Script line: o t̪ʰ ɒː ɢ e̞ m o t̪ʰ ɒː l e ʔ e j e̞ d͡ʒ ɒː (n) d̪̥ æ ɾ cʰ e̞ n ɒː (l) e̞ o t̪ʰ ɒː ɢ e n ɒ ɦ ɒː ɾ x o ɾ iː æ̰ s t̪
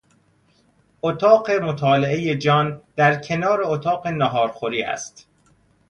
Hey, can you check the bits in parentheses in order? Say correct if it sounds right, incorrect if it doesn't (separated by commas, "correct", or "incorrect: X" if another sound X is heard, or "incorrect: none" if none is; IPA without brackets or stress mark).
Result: correct, incorrect: ɾ